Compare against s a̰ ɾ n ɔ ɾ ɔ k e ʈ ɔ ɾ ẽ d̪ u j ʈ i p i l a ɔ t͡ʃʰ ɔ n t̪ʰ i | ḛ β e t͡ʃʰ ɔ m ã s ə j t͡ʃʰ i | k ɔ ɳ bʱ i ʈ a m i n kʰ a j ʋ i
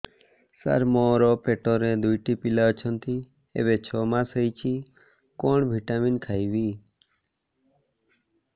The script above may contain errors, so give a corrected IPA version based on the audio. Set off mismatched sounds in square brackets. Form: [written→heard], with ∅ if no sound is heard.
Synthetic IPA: s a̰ ɾ [n→m] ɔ ɾ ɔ [k→p] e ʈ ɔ ɾ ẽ d̪ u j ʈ i p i l a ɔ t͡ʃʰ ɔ n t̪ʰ i | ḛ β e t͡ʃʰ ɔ m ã s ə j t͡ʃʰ i | k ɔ ɳ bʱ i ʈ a m i n kʰ a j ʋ i